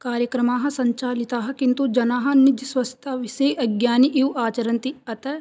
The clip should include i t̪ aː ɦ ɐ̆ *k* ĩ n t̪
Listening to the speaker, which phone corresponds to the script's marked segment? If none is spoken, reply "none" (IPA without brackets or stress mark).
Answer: k